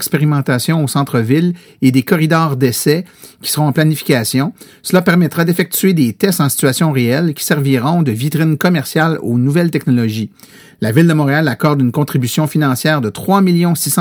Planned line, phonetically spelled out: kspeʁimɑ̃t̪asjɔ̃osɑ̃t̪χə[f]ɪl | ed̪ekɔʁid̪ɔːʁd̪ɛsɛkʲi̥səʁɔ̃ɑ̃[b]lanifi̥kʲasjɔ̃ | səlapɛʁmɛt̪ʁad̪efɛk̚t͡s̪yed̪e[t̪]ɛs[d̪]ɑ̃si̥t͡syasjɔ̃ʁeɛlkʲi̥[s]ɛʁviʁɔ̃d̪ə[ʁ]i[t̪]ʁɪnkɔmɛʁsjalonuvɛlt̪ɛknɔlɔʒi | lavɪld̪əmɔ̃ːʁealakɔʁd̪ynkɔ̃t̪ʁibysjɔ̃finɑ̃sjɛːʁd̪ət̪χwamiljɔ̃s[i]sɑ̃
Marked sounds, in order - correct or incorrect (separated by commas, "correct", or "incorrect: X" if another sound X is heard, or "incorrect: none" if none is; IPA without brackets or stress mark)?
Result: incorrect: v, incorrect: p, correct, incorrect: t̪, correct, incorrect: v, correct, correct